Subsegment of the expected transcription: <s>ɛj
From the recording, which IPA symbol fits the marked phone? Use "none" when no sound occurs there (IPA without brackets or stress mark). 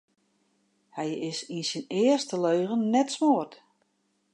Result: h